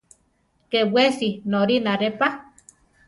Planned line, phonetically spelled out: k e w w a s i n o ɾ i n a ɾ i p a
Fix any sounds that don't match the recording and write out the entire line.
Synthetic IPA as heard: k e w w e s i n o ɾ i n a ɾ e p a